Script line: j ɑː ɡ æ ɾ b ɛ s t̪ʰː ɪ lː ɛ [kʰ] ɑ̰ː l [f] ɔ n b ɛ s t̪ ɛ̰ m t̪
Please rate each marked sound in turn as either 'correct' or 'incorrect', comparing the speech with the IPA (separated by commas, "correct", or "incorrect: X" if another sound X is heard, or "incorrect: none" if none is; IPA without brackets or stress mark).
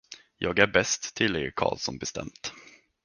correct, incorrect: s